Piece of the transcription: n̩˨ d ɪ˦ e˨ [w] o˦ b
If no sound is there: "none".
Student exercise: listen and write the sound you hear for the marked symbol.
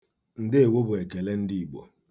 w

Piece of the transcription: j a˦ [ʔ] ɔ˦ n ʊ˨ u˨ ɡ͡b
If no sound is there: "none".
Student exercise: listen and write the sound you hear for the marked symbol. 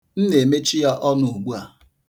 ʔ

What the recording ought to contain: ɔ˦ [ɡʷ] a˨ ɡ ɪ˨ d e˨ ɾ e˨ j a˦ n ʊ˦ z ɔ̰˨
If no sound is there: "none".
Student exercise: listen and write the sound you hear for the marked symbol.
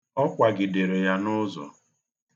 kʷ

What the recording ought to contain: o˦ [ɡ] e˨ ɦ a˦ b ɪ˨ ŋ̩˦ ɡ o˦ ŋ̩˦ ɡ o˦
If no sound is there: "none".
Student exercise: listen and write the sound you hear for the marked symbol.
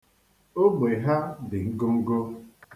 ɡ͡b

